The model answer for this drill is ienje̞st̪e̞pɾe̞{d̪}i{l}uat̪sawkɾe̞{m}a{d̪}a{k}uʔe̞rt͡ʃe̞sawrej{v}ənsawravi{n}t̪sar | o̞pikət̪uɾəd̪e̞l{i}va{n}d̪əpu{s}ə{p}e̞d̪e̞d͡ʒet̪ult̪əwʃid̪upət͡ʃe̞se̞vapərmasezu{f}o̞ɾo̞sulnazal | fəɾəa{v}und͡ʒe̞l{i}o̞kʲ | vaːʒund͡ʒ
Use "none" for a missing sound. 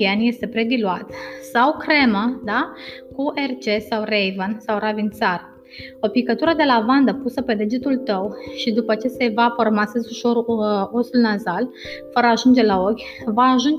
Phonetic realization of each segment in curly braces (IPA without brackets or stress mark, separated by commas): d̪, l, m, d̪, k, v, n, a, n, s, p, ʃ, ʒ, a